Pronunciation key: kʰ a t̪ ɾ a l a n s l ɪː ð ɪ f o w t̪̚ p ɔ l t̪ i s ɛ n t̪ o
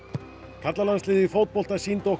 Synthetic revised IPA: kʰ a t̪ l a l a n s l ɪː ð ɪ f o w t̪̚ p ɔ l t̪ a s i n t̪ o